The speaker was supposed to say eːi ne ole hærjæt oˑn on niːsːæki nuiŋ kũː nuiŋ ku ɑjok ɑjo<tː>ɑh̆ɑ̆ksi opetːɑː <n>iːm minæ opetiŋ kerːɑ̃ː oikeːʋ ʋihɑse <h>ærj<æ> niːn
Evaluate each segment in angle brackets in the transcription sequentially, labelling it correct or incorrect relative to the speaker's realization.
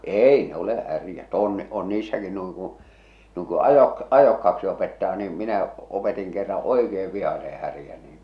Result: incorrect, correct, correct, correct

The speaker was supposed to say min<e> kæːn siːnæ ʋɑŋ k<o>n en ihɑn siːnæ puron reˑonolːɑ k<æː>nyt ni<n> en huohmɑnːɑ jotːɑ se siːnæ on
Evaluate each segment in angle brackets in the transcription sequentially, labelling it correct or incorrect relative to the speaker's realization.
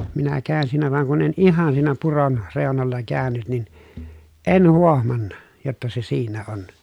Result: incorrect, incorrect, correct, correct

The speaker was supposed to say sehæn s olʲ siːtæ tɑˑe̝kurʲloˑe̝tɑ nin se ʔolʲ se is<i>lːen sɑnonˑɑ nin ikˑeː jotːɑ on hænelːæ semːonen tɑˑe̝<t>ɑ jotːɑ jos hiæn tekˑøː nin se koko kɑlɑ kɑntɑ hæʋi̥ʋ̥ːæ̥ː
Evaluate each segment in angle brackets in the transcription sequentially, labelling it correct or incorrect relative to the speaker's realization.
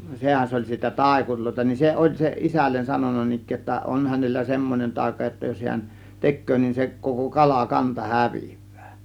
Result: incorrect, incorrect

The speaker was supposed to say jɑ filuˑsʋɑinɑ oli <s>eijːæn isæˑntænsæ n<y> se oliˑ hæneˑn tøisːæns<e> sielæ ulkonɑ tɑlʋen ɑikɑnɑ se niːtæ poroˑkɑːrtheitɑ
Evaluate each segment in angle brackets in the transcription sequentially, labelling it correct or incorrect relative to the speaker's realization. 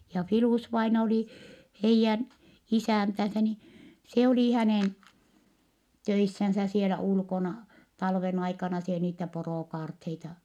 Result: incorrect, incorrect, incorrect

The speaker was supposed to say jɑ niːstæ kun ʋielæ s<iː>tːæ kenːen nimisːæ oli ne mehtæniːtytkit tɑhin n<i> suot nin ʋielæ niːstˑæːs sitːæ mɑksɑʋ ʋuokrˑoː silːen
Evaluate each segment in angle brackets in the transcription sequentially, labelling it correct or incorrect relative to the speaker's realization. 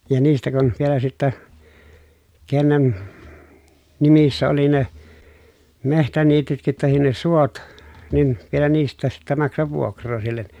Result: incorrect, incorrect

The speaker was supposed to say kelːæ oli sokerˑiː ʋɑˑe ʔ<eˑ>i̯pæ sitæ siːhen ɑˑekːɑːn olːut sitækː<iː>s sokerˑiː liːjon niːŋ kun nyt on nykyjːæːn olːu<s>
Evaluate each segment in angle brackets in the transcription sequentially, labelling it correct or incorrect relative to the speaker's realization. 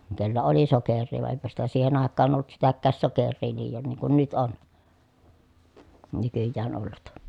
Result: correct, incorrect, incorrect

